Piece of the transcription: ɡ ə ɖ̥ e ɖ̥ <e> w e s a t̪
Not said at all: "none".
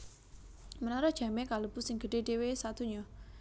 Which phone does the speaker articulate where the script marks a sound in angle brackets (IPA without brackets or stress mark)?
e